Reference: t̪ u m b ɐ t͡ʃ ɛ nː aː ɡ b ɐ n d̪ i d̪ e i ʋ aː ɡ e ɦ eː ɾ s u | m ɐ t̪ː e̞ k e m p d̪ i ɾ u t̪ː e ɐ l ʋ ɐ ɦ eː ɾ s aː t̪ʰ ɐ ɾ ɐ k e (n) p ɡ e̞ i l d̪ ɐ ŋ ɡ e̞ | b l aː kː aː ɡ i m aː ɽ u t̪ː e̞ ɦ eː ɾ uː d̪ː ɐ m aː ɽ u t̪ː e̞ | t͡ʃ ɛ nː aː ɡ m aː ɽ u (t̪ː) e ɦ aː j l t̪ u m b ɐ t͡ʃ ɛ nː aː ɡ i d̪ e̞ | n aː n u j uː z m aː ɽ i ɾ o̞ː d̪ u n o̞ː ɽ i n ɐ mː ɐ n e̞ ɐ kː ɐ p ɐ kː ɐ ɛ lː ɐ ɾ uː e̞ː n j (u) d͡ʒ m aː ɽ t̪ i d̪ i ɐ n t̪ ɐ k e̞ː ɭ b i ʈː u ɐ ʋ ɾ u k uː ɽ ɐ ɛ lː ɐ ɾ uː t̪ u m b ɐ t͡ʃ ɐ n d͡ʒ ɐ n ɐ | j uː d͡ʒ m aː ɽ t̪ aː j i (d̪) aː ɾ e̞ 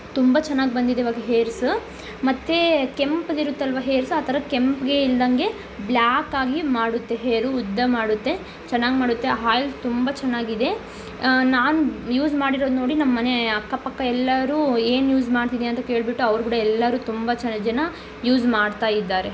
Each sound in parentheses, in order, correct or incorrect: incorrect, correct, incorrect, incorrect

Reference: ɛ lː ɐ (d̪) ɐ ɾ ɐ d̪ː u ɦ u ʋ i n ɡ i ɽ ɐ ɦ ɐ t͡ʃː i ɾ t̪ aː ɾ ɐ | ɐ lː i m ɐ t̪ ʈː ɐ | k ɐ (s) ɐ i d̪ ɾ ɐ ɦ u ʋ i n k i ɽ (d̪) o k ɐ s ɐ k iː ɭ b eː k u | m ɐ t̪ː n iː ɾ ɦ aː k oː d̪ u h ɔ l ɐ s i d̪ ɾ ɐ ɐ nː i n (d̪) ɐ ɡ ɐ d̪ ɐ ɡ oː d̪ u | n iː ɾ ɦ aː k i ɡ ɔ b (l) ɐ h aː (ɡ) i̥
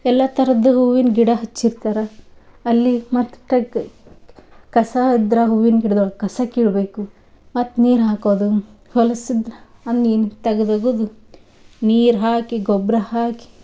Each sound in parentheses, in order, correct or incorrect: incorrect, correct, correct, incorrect, incorrect, incorrect

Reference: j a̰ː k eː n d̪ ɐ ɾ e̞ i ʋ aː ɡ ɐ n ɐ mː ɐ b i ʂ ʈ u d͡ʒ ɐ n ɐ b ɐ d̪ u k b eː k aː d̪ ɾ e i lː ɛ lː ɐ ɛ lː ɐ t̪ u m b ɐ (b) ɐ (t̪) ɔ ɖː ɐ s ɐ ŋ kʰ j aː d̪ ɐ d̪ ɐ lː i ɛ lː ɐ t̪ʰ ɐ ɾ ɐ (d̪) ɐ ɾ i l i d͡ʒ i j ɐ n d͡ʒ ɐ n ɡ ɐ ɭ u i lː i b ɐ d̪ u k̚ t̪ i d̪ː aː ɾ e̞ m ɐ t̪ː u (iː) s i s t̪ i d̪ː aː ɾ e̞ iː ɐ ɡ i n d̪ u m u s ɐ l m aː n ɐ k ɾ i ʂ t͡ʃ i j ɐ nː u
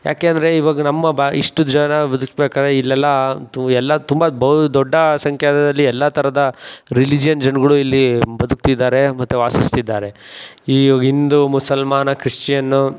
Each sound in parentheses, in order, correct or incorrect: correct, incorrect, correct, incorrect

